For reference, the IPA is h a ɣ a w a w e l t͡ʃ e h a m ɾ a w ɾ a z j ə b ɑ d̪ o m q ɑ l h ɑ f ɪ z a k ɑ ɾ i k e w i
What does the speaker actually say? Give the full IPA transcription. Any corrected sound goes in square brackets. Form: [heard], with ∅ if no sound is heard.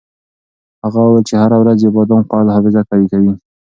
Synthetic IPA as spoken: h a ɣ a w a w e l t͡ʃ e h a [∅] ɾ a w ɾ a z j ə b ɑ d̪ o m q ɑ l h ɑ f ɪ z a k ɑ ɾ i k [a] w i